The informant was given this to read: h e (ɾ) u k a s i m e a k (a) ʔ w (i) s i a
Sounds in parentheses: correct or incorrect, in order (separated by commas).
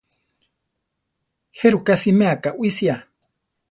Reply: correct, correct, correct